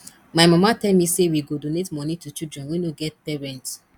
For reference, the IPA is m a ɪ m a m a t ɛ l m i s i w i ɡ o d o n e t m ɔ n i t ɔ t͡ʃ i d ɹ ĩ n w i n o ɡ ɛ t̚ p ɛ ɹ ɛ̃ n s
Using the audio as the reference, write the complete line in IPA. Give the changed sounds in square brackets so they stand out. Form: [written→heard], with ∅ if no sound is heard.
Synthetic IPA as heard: m a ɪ m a m a t ɛ l m i s [i→e] w i ɡ o d o n e t m ɔ n i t [ɔ→u] t͡ʃ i d ɹ [ĩ→ɛ̃] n w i n o ɡ ɛ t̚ p ɛ ɹ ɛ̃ n [s→t]